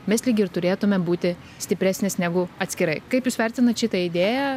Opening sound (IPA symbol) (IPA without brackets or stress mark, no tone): mʲ